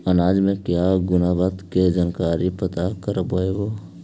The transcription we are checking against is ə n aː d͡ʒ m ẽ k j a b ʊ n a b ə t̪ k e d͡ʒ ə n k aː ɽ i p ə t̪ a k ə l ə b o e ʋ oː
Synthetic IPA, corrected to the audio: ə n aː d͡ʒ m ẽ k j a ɡ ʊ n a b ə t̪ k e d͡ʒ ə n k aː ɾ i p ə t̪ a k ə ɾ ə b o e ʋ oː